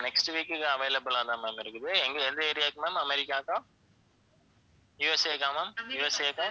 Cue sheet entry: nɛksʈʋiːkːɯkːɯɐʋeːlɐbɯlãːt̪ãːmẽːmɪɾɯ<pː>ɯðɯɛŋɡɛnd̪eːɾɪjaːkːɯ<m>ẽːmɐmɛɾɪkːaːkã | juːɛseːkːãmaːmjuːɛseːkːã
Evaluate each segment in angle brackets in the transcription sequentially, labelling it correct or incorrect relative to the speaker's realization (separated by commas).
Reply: incorrect, correct